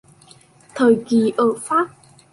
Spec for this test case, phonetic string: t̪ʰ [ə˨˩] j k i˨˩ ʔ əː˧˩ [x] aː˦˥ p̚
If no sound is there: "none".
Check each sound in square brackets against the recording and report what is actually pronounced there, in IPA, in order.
əː˨˩, f

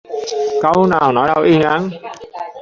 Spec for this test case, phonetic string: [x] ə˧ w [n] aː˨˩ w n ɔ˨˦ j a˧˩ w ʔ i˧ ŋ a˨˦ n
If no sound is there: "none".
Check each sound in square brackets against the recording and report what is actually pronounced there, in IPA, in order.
k, n

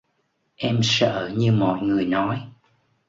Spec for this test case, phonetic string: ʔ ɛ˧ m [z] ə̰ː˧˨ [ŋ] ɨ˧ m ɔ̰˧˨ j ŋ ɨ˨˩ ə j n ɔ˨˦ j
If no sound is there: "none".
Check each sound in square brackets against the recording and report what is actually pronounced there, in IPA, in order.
s, ɲ

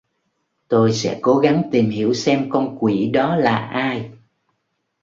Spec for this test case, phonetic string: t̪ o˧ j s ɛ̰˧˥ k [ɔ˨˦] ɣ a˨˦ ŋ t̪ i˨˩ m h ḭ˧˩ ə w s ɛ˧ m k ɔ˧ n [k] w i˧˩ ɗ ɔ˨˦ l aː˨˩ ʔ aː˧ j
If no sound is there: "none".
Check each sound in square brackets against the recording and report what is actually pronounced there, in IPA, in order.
o˨˦, k

